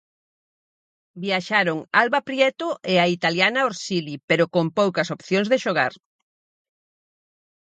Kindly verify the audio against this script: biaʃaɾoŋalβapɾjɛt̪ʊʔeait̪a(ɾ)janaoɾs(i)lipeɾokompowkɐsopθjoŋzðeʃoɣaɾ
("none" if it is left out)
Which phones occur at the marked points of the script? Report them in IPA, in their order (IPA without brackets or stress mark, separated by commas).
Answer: l, i